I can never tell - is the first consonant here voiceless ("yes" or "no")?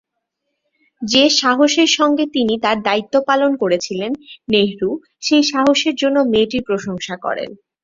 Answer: no